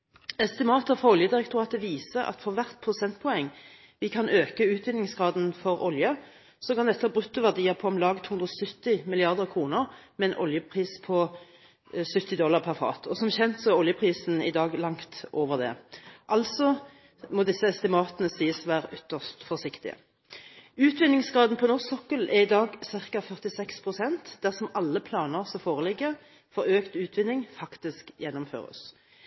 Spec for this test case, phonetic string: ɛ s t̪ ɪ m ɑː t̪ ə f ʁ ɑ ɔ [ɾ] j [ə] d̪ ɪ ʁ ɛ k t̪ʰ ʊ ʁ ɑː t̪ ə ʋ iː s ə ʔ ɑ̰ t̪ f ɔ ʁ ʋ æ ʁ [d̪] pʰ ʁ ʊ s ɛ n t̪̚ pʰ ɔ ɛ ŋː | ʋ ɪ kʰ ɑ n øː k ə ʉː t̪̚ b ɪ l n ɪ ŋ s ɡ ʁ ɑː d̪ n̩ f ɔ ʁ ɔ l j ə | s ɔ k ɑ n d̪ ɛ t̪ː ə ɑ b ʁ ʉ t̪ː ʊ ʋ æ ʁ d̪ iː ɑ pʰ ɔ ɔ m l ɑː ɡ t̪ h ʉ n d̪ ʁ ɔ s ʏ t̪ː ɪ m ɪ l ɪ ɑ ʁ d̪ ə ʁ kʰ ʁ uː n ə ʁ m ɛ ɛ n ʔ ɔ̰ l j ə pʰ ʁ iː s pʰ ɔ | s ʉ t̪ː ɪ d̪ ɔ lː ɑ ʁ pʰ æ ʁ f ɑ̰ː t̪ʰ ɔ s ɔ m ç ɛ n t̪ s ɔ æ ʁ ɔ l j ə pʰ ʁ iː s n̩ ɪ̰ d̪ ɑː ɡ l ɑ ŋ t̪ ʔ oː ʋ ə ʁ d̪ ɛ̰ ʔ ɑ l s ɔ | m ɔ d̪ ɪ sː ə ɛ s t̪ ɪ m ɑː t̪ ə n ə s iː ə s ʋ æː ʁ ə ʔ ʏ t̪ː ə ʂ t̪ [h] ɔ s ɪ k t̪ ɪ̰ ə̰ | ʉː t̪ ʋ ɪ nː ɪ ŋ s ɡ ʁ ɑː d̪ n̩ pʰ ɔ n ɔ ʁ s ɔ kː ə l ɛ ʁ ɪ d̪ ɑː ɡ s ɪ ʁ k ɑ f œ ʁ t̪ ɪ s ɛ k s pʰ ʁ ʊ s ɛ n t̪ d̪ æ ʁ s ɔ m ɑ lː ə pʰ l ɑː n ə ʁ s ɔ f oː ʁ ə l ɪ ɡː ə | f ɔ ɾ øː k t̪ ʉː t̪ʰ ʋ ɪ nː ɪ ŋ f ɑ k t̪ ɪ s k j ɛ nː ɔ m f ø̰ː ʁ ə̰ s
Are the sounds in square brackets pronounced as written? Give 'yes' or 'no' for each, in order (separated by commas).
no, yes, no, no